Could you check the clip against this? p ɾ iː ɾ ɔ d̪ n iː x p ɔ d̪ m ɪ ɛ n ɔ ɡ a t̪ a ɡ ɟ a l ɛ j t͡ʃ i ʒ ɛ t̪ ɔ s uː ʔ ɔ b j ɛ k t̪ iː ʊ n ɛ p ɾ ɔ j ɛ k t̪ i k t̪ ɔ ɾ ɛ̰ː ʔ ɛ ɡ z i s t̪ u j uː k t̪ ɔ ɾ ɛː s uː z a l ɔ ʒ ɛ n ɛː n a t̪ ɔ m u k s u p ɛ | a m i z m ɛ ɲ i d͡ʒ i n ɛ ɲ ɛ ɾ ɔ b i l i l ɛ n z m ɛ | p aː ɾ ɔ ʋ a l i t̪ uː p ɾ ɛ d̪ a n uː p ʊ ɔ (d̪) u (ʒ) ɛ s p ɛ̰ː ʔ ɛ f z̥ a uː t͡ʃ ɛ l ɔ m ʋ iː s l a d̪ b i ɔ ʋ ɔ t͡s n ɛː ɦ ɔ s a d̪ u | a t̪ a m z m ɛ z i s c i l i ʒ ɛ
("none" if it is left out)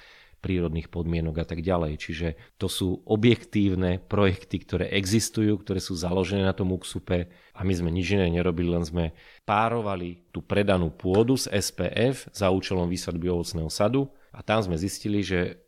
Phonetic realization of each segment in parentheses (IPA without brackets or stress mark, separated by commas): d̪, z